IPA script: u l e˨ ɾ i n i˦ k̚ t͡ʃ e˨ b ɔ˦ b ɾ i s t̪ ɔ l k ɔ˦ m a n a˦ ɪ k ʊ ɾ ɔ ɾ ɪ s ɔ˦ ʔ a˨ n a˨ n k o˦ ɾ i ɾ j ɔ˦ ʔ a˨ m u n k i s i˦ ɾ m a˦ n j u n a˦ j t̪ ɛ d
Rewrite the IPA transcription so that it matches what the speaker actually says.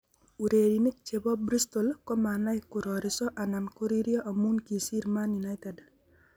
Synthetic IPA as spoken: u ɾ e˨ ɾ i n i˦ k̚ t͡ʃ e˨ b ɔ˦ b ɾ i s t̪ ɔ l k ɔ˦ m a n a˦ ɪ k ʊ ɾ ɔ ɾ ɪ s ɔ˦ ʔ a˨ n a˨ n k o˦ ɾ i ɾ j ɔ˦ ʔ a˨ m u n k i s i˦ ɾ m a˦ n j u n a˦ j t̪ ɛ d

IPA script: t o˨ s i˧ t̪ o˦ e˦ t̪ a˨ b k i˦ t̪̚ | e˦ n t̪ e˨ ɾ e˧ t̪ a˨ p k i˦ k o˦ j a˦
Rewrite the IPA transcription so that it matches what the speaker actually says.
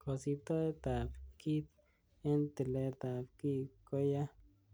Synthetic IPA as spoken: k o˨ s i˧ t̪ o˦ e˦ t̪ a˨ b k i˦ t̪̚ | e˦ n t̪ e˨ l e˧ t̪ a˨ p k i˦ k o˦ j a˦

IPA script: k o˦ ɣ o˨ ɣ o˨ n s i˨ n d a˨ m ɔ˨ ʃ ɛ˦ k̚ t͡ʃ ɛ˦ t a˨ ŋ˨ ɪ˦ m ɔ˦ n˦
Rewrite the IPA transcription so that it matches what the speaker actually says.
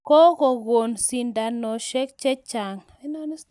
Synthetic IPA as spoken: k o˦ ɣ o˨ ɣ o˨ n s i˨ n d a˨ n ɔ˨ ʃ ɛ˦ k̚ t͡ʃ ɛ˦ t͡ʃ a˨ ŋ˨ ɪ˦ n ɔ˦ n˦

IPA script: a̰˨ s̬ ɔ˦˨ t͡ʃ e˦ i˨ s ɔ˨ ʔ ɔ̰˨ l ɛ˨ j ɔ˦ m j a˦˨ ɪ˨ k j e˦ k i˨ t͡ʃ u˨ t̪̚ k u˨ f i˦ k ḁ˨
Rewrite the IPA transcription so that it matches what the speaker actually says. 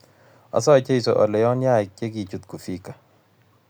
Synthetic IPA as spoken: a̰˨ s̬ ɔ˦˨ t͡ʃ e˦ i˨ s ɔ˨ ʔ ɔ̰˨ l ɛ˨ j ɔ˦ n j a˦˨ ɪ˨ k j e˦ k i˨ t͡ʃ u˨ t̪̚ k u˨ f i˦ k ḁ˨

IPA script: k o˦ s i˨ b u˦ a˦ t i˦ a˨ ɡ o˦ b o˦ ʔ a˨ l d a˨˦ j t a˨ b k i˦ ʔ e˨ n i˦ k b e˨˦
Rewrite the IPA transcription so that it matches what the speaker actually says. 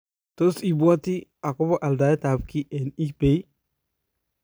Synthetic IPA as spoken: t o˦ s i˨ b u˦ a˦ t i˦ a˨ k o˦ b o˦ ʔ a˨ l d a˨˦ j t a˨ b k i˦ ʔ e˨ n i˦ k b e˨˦

